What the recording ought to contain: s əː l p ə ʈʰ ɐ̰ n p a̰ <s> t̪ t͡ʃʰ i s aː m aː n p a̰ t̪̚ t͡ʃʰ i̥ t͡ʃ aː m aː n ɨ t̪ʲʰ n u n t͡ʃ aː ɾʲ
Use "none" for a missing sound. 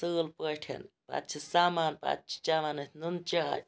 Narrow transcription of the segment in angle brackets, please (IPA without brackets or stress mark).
none